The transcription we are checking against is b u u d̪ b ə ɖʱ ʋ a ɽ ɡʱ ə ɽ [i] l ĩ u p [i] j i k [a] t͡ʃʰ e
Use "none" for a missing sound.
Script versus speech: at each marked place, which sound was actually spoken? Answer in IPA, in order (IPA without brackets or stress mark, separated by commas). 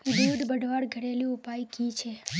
e, a, i